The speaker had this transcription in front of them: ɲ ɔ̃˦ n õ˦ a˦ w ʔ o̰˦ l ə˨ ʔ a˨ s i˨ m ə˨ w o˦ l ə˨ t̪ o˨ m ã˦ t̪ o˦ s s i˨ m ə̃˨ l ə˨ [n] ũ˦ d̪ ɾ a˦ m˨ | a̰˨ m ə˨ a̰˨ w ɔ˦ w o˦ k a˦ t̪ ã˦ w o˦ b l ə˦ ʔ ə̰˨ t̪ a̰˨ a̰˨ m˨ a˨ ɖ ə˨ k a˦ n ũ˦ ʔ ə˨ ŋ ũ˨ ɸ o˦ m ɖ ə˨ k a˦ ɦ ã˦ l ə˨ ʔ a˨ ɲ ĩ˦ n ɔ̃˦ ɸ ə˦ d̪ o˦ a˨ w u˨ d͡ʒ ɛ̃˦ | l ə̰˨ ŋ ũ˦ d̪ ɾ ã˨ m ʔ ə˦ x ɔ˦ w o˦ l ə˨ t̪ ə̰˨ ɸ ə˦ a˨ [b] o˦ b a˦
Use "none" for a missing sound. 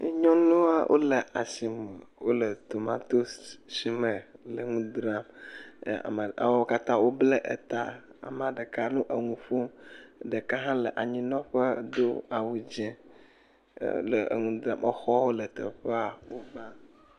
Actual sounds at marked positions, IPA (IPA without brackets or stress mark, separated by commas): ŋ, w